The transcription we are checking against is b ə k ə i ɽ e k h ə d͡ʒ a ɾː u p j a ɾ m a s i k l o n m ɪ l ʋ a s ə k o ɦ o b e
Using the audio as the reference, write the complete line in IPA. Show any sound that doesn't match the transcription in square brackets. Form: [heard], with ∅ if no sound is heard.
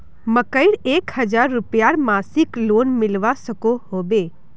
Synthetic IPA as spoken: [m] ə k ə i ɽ e k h ə d͡ʒ a ɾː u p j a ɾ m a s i k l o n m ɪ l ʋ a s ə k o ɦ o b e